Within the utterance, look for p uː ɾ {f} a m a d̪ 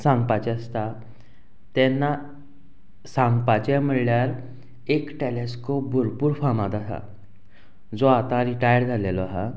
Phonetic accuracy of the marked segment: correct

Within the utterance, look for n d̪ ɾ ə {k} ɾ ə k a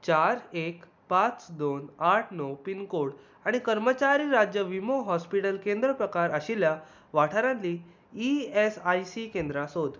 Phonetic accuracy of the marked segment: incorrect: p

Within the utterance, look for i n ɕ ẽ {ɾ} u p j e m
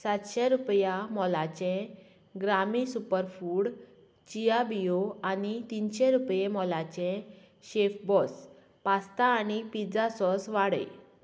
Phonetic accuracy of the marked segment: correct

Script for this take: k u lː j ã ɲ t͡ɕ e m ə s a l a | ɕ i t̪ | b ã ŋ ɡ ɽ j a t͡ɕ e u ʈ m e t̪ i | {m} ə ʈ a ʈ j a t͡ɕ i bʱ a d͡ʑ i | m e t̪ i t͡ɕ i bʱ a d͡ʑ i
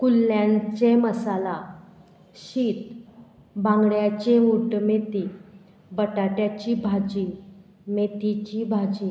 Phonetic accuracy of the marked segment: incorrect: b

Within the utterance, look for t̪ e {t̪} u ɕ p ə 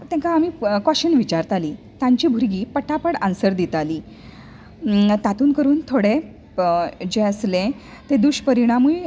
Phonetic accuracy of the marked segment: incorrect: d̪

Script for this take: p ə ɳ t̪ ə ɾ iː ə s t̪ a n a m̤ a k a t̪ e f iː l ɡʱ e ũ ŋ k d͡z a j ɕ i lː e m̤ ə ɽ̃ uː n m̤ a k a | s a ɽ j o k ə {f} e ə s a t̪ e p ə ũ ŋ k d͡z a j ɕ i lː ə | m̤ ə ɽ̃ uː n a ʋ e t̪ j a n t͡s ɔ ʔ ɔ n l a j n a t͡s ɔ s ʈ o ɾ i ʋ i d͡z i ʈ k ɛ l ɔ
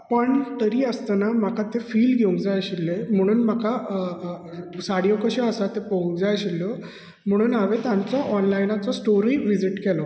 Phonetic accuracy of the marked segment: incorrect: ɕ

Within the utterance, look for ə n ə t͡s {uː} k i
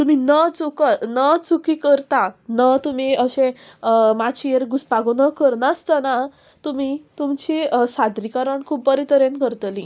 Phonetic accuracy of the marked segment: incorrect: u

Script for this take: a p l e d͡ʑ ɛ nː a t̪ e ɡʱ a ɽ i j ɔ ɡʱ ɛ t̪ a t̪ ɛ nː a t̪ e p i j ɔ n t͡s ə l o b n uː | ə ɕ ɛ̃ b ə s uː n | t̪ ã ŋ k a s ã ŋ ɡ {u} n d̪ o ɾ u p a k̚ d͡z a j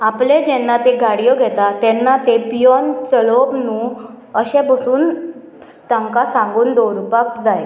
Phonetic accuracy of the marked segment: incorrect: uː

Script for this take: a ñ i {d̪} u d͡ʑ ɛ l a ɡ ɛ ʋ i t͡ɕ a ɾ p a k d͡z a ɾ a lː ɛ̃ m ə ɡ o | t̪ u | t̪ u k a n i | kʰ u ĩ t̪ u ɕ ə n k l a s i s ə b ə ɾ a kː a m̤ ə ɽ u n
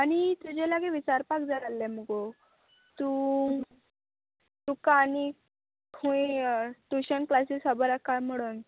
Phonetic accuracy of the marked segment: incorrect: t̪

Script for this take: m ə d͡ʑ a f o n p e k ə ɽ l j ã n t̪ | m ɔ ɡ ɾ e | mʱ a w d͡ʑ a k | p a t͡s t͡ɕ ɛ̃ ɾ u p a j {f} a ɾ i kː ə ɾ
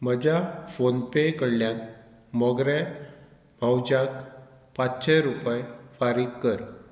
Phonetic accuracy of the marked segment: correct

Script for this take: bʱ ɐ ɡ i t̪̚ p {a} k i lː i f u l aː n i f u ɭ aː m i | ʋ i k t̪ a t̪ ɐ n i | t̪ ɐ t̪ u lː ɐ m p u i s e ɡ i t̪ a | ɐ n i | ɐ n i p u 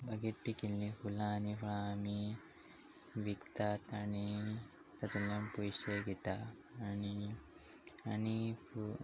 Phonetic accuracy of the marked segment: incorrect: i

